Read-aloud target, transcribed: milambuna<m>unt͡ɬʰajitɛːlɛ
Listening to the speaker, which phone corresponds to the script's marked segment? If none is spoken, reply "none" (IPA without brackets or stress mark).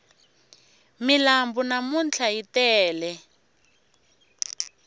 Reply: m